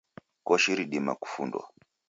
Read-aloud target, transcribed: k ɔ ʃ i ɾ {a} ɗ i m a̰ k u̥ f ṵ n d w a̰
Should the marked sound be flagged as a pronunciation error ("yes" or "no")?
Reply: yes